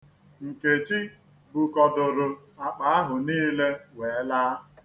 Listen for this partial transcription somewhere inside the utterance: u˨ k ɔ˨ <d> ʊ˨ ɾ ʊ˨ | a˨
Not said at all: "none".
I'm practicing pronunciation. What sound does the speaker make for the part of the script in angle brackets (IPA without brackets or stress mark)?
d